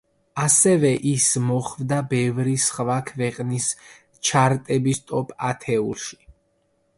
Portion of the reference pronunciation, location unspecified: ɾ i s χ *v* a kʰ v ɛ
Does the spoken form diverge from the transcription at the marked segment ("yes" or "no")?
no